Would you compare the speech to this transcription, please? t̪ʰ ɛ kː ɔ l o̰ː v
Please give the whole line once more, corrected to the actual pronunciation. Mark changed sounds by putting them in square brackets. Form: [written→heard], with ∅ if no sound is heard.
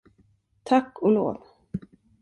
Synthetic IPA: t̪ʰ [ɛ→a] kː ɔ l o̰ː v